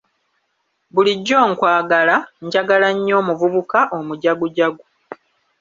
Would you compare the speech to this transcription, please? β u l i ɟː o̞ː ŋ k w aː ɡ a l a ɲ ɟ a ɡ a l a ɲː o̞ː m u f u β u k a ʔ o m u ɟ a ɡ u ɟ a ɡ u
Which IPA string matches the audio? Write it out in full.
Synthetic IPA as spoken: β u l i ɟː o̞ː ŋ k w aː ɡ a l a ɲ ɟ a ɡ a l a ɲː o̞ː m u v u β u k a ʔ o m u ɟ a ɡ u ɟ a ɡ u

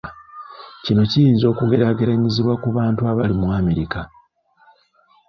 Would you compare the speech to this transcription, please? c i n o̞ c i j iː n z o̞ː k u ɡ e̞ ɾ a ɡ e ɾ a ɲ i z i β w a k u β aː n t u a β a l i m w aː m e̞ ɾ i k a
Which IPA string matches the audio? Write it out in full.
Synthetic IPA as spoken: c i n o̞ c i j iː n z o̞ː k u ɡ e̞ ɾ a ɡ e ɾ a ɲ i z i β w a k u β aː n t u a β a l i m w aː m e̞ ɾ i k a

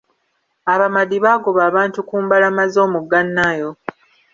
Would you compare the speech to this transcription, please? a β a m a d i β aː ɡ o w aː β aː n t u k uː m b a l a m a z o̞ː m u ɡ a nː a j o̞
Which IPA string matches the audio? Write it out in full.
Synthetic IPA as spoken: a β a m a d i β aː ɡ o β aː β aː n t u k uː m b a l a m a z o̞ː m u ɡ a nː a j o̞

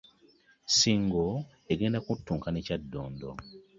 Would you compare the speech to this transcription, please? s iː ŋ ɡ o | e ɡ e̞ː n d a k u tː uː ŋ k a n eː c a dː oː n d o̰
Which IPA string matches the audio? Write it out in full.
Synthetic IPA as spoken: s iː ŋ ɡ o | e ɡ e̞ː n d a k u tː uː ŋ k a n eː c a dː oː n d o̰

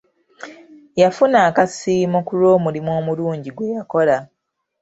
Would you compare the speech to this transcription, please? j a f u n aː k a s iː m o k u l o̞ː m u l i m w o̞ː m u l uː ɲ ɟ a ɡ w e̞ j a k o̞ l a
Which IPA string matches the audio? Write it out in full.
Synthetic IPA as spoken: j a f u n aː k a s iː m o k u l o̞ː m u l i m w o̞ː m u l uː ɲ ɟ i ɡ w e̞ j a k o̞ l a

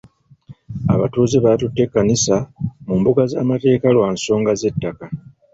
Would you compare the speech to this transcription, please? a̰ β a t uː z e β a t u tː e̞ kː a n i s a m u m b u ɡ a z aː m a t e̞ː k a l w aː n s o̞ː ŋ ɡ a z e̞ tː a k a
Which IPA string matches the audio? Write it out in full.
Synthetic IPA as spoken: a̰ β a t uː z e β a t u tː e̞ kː a n i s a m u m b u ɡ a z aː m a t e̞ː k a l w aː n s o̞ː ŋ ɡ a z e̞ tː a k a

